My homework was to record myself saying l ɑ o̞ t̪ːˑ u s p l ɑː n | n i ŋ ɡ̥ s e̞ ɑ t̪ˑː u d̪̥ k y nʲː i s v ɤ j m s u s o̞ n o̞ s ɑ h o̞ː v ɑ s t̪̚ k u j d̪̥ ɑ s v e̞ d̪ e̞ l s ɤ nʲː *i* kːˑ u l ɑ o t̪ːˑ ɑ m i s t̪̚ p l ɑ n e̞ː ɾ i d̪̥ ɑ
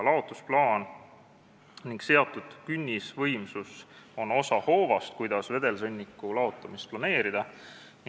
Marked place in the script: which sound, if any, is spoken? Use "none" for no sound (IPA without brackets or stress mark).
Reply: i